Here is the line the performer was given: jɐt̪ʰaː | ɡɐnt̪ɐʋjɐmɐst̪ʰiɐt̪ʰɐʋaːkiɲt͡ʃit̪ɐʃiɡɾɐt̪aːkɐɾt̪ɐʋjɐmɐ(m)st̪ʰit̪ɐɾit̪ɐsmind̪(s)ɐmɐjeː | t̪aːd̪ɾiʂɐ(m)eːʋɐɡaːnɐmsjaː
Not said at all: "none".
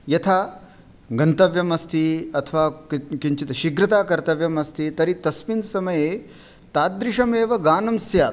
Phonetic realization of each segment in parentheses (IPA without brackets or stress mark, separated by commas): none, s, m